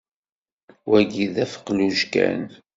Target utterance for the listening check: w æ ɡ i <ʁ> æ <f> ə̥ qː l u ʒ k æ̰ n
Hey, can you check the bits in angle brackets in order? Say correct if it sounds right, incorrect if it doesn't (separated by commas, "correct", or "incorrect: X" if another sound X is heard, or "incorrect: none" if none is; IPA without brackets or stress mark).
incorrect: ð, correct